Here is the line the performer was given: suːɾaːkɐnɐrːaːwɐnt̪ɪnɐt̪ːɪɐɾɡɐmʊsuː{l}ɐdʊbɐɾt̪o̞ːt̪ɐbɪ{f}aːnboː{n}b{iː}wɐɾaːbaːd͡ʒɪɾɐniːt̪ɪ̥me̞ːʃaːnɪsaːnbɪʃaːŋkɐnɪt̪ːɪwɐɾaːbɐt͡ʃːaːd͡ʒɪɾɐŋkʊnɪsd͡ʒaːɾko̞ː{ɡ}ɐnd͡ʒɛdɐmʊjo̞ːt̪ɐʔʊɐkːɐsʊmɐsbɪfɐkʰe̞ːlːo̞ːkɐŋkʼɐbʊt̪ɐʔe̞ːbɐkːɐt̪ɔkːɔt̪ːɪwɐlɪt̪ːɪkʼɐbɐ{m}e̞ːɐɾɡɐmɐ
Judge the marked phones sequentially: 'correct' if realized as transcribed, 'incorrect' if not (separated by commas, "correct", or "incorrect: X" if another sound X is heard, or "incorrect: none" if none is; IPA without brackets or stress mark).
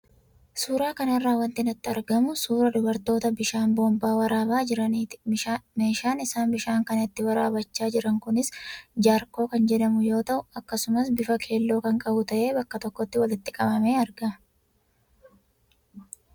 incorrect: ɾ, incorrect: ʃ, incorrect: m, incorrect: aː, incorrect: k, correct